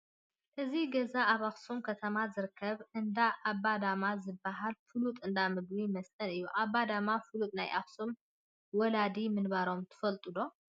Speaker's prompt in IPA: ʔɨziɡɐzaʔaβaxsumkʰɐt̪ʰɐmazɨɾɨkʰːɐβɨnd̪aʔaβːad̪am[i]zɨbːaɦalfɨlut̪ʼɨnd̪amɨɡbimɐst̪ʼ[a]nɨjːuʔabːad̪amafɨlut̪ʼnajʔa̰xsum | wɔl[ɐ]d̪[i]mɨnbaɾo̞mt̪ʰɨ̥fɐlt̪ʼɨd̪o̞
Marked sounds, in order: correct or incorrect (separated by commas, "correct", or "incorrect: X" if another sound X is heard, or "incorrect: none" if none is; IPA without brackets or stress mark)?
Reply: incorrect: a, incorrect: ɐ, incorrect: a, correct